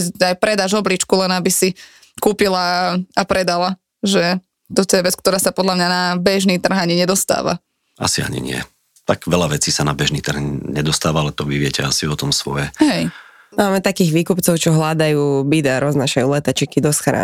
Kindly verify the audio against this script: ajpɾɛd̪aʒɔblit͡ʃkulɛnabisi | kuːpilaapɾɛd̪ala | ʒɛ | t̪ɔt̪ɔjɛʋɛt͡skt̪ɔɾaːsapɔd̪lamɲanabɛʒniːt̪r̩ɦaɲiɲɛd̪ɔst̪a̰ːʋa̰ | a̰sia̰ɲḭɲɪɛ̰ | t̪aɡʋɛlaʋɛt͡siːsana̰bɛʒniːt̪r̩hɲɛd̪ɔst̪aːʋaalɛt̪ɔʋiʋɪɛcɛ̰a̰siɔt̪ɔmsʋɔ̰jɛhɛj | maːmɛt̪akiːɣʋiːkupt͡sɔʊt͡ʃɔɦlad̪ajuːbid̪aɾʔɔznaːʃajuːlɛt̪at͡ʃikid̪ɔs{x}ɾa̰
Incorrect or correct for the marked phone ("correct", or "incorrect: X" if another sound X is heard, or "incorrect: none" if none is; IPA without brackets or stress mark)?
correct